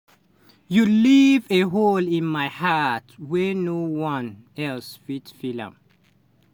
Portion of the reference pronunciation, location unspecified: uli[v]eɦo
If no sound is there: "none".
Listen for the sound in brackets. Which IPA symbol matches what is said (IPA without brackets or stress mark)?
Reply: v